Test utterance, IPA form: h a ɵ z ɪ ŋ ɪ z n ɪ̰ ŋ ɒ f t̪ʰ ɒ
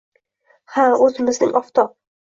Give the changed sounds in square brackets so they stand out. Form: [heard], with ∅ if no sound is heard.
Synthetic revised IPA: h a ɵ z ɪ [m] ɪ z n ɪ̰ ŋ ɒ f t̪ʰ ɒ